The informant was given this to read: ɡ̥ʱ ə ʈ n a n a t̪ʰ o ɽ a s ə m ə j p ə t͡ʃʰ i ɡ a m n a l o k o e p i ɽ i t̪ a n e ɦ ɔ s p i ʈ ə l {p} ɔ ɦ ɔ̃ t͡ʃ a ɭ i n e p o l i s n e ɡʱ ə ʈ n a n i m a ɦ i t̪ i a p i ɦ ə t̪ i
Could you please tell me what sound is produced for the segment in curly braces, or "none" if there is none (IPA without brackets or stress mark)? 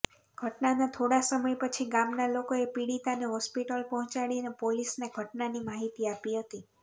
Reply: p